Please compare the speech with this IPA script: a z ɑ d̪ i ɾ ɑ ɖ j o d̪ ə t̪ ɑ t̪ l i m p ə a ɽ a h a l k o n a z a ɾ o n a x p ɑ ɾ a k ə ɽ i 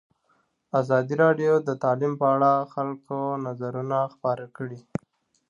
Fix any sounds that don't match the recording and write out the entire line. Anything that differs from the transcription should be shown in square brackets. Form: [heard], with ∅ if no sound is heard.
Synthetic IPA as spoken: a z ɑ d̪ i ɾ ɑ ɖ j o d̪ ə t̪ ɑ [∅] l i m p ə a ɽ a [x] a l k o n a z a ɾ [u] n a x p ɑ ɾ a k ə ɽ i